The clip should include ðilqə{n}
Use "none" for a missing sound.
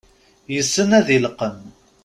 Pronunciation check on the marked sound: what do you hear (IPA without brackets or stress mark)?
m